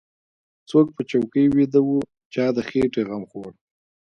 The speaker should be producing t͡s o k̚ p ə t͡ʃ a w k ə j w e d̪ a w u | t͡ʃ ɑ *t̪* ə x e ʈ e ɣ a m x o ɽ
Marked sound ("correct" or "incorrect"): incorrect